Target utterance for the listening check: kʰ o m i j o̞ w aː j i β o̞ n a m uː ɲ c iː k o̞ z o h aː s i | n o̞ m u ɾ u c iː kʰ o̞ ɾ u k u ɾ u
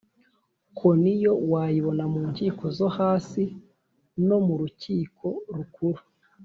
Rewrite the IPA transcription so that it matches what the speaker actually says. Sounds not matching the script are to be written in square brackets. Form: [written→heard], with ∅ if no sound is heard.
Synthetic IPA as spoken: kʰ o [m→n] i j o̞ w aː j i β o̞ n a m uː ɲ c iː k o̞ z o h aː s i | n o̞ m u ɾ u c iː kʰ o̞ ɾ u k u ɾ u